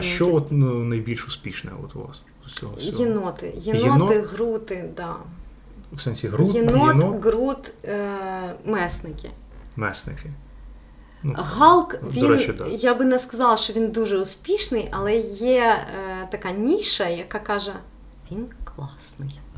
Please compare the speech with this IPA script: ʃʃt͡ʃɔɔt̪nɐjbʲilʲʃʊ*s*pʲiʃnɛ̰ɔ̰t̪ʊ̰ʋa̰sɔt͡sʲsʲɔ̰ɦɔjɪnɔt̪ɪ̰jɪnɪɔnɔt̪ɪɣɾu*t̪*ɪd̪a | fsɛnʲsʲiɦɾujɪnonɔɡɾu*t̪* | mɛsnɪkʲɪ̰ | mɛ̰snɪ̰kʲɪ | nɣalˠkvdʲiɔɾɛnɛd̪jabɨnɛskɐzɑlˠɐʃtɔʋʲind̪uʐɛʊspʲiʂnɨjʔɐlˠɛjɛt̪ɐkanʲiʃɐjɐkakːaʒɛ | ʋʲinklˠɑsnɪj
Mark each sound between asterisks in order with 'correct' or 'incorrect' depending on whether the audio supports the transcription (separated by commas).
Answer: correct, correct, correct